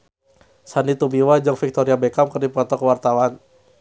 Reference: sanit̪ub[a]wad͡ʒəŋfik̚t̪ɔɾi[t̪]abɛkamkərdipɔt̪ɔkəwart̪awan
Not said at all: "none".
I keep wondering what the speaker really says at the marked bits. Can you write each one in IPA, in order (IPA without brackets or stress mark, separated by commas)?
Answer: i, none